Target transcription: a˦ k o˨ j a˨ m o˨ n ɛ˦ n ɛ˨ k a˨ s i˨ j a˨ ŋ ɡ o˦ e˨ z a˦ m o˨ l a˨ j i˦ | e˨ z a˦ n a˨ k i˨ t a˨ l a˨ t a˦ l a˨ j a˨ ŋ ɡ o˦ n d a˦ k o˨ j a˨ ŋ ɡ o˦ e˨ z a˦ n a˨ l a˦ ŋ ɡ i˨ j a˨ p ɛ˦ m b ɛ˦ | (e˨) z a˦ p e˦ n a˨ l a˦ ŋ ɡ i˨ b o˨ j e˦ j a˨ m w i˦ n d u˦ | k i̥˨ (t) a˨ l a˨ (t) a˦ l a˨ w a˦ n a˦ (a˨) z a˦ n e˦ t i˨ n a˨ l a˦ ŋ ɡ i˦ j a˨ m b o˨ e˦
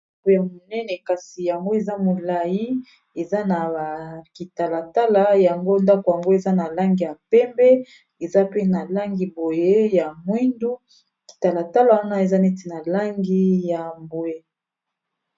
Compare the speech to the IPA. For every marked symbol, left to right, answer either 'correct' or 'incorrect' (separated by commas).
correct, correct, correct, incorrect